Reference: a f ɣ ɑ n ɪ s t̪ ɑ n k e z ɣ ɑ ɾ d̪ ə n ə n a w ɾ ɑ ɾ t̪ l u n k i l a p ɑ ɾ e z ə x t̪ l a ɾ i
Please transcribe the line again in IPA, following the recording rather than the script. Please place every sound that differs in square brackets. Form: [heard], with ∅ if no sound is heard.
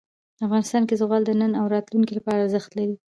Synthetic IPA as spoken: a f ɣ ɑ n ɪ s t̪ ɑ n k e z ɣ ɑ [l] d̪ ə n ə n a w ɾ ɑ [∅] t̪ l u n k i l a p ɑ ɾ [a] z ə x t̪ l a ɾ i